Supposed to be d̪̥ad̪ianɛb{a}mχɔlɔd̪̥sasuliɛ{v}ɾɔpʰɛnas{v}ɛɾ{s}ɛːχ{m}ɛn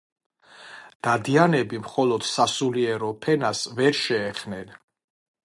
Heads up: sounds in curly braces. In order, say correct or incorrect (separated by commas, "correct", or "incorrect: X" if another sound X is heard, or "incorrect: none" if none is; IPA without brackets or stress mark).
incorrect: i, incorrect: none, correct, incorrect: ʃ, incorrect: n